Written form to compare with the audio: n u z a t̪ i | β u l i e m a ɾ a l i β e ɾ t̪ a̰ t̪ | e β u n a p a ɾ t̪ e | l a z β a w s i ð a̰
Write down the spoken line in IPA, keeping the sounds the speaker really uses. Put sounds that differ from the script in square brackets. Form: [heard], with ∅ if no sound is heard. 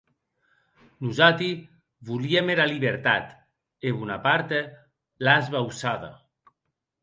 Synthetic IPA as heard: n u z a t̪ i | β u l i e m [e] ɾ a l i β e ɾ t̪ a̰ t̪ | e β u n a p a ɾ t̪ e | l a z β a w s [a] ð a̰